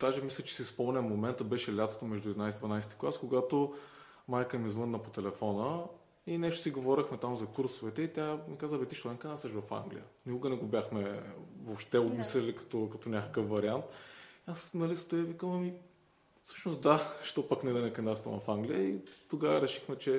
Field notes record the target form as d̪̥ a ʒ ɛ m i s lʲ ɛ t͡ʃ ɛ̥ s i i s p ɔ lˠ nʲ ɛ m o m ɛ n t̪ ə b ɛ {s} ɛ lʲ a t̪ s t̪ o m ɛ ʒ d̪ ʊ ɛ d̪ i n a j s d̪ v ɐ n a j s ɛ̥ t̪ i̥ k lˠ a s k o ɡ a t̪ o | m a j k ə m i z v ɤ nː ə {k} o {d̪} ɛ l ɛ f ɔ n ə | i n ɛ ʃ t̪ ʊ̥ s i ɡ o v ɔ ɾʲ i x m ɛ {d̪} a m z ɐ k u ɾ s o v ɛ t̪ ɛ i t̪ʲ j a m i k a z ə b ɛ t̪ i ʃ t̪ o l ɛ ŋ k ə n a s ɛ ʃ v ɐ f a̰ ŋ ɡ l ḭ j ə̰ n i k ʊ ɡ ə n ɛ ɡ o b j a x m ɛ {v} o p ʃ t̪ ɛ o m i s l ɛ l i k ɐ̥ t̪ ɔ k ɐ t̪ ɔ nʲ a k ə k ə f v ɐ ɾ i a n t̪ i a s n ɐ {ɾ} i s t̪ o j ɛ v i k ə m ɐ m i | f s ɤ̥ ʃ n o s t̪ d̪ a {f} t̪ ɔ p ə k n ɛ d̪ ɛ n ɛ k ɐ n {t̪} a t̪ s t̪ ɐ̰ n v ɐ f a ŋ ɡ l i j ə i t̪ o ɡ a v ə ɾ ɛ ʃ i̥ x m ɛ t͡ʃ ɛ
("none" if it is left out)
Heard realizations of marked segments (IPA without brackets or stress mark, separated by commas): ʃ, p, t̪, t̪, v, l, ʃ, d̪